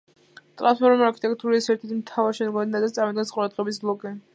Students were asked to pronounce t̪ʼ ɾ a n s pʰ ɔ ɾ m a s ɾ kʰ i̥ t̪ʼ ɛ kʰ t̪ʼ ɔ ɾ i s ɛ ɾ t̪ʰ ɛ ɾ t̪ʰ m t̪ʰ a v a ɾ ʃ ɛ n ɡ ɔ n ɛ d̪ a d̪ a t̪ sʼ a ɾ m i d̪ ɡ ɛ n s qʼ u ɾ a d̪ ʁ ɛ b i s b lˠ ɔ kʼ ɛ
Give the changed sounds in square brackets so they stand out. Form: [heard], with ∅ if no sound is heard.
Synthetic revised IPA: t̪ʼ ɾ a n s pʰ ɔ ɾ m a [∅] ɾ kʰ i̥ t̪ʼ ɛ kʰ t̪ʼ [u] ɾ i s ɛ ɾ t̪ʰ ɛ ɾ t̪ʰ m t̪ʰ a v a ɾ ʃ ɛ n ɡ ɔ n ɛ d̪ a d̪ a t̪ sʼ a ɾ m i d̪ ɡ ɛ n s qʼ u ɾ a d̪ ʁ ɛ b i s b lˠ ɔ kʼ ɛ

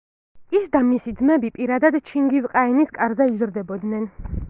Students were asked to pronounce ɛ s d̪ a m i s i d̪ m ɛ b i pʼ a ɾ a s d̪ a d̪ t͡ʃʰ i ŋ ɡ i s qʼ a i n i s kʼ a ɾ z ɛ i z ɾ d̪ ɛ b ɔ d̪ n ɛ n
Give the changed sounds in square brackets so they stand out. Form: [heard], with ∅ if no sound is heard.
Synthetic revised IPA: [i] s d̪ a m i s i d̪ m ɛ b i pʼ [i] ɾ a [∅] d̪ a d̪ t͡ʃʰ i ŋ ɡ i s qʼ a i n i s kʼ a ɾ z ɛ i z ɾ d̪ ɛ b ɔ d̪ n ɛ n

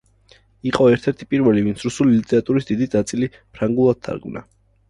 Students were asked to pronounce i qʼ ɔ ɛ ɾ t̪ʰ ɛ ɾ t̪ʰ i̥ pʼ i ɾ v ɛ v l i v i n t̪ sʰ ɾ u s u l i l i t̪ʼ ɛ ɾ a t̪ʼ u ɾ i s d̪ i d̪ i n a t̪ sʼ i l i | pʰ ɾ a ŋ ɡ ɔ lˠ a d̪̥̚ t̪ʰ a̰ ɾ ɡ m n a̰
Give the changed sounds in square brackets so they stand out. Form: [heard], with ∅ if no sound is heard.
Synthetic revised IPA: i qʼ ɔ ɛ ɾ t̪ʰ ɛ ɾ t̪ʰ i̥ pʼ i ɾ v ɛ [∅] l i v i n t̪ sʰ ɾ u s u l i l i t̪ʼ ɛ ɾ a t̪ʼ u ɾ i s d̪ i d̪ i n a t̪ sʼ i l i | pʰ ɾ a ŋ ɡ [u] lˠ a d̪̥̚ t̪ʰ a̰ ɾ ɡ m n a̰

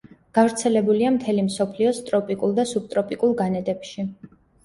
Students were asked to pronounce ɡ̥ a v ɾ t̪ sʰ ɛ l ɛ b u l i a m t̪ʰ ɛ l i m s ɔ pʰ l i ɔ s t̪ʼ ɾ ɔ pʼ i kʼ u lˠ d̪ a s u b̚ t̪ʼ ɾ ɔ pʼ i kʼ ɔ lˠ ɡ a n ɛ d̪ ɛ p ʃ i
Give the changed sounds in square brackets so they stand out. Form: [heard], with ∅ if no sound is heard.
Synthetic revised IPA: ɡ̥ a v ɾ t̪ sʰ ɛ l ɛ b u l i a m t̪ʰ ɛ l i m s ɔ pʰ l i ɔ s t̪ʼ ɾ ɔ pʼ i kʼ u lˠ d̪ a s u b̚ t̪ʼ ɾ ɔ pʼ i kʼ [u] lˠ ɡ a n ɛ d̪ ɛ p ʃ i

